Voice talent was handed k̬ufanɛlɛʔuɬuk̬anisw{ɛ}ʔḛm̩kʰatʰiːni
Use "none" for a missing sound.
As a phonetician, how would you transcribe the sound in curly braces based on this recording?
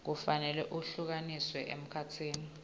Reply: ɛ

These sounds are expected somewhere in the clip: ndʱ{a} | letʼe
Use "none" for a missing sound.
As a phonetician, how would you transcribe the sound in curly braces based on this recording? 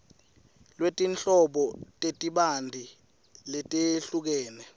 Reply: i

